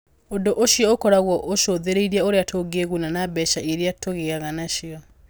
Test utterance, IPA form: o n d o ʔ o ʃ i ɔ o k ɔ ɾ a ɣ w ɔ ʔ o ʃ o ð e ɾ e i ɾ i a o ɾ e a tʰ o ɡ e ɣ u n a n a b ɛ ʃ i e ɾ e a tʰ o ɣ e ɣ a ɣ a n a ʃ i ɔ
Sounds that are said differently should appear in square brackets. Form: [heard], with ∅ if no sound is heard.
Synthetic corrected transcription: o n d o ʔ o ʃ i ɔ o k ɔ ɾ a ɣ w ɔ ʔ o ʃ o ð e ɾ e i ɾ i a o ɾ e a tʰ o ɡ e ɣ u n a n a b ɛ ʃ [a] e ɾ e a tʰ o ɣ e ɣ a ɣ a n a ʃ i ɔ